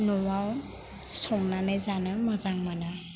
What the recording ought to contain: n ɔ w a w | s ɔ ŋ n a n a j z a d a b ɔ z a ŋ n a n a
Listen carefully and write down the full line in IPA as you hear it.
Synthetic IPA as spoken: n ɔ w a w | s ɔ m n a n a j z a n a m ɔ z a ŋ m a n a